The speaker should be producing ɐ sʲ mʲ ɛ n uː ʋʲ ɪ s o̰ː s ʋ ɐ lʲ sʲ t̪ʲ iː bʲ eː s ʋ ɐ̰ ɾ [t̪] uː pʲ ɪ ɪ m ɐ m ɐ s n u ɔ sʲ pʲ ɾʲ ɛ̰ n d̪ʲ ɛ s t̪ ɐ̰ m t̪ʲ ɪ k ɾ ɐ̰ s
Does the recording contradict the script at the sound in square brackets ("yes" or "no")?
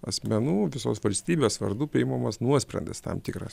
yes